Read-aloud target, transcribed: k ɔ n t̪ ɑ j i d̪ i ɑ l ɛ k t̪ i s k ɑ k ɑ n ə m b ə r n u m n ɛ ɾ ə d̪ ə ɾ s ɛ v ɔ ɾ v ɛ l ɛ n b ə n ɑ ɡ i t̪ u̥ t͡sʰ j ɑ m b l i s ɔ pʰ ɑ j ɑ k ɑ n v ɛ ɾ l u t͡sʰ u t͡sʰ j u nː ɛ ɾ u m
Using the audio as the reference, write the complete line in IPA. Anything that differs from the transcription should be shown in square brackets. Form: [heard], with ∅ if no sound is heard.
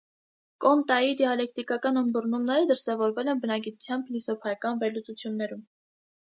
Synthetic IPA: k ɔ n t̪ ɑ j i d̪ i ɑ l ɛ k t̪ i [∅] k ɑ k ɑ n ə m b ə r n u m n ɛ ɾ ə d̪ ə ɾ s ɛ v ɔ ɾ v ɛ l ɛ n b ə n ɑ ɡ i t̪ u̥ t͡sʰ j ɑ m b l i s ɔ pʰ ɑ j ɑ k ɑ n v ɛ ɾ l u [t͡s] u t͡sʰ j u nː ɛ ɾ u m